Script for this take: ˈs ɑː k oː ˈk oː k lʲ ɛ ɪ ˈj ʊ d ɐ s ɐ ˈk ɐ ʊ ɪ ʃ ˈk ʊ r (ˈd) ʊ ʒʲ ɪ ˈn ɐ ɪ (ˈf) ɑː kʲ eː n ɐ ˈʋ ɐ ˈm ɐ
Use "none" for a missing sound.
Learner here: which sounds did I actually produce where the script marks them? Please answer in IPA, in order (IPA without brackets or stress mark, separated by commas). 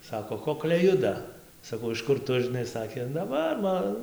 t, s